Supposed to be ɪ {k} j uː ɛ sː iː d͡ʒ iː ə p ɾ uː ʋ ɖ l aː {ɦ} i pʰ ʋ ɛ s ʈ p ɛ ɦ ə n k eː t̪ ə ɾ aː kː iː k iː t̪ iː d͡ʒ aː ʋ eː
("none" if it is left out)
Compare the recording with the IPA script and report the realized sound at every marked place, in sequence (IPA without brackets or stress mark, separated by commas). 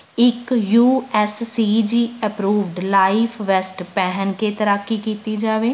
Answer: k, none